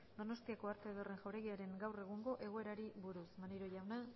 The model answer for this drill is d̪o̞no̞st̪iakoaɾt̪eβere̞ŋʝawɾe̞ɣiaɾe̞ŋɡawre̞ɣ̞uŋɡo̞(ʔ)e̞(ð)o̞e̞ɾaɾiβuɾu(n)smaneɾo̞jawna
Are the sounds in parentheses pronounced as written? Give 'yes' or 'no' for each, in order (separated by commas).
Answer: yes, no, no